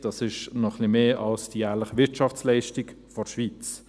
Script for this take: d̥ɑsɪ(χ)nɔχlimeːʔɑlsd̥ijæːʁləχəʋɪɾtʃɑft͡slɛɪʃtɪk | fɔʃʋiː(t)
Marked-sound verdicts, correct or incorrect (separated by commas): incorrect, incorrect